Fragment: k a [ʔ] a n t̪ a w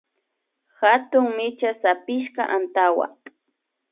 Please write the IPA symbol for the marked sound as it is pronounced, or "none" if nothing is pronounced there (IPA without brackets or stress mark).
ʔ